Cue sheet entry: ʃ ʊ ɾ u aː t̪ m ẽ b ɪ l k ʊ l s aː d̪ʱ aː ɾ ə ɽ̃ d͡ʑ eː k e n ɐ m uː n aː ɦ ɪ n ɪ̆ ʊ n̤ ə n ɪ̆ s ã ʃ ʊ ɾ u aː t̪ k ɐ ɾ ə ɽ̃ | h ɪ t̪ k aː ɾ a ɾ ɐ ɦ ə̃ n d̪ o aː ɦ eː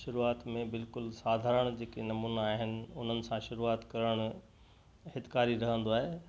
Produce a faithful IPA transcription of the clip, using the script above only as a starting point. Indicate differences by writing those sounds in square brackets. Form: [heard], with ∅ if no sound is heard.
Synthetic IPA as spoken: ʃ ʊ ɾ u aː t̪ m ẽ b ɪ l k ʊ l s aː d̪ʱ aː ɾ ə ɽ̃ d͡ʑ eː k e n ɐ m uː n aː ɦ ɪ n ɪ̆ ʊ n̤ ə n ɪ̆ s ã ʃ ʊ ɾ u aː t̪ k ɐ ɾ ə ɽ̃ | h ɪ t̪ k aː ɾ [i] ɾ ɐ ɦ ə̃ n d̪ o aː ɦ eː